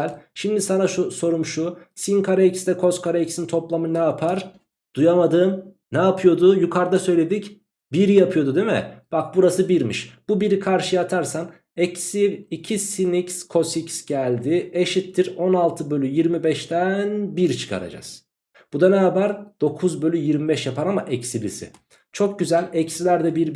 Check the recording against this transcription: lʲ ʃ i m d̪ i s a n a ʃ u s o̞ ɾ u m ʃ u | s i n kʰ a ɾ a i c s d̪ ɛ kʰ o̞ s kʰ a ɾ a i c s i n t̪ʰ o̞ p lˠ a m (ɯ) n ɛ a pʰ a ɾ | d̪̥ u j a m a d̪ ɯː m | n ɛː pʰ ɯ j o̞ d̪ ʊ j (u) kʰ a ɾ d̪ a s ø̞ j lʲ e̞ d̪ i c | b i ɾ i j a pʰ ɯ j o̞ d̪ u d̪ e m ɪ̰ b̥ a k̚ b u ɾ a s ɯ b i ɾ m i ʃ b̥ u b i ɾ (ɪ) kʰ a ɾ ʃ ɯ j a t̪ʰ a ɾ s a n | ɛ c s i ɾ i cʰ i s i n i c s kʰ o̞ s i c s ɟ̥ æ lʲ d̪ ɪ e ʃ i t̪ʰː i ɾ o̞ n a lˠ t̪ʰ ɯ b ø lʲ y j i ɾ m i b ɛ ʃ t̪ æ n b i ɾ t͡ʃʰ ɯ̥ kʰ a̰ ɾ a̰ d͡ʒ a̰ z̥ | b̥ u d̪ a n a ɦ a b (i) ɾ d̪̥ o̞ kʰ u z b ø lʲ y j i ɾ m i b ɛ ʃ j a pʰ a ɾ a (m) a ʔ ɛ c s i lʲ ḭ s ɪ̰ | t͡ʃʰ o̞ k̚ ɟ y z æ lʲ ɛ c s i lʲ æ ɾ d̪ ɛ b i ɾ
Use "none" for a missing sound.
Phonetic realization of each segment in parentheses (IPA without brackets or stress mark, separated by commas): ɯ, u, i, æ, m